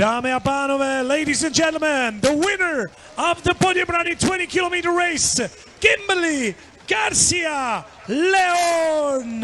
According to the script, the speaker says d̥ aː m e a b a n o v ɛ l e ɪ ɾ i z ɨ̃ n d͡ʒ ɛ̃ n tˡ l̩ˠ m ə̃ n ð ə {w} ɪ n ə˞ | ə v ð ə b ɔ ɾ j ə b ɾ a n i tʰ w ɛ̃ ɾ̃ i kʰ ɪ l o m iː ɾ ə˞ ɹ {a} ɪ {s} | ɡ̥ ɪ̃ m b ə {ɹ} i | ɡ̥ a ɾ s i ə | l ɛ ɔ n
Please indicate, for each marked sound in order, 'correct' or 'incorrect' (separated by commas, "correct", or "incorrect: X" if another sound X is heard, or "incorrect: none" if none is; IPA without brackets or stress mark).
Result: correct, incorrect: e, correct, incorrect: l